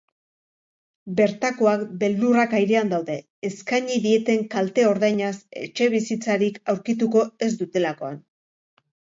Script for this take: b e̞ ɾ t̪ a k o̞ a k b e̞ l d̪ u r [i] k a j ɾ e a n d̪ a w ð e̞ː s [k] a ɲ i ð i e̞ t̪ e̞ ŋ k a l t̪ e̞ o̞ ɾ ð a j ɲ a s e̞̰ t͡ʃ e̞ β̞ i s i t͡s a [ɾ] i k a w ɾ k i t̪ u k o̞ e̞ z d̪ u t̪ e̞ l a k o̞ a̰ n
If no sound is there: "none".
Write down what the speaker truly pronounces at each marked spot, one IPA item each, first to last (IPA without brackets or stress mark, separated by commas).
a, k, ɾ